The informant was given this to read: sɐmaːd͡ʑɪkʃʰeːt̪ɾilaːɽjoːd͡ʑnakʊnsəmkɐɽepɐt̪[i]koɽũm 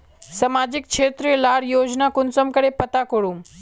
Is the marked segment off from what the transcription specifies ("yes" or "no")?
yes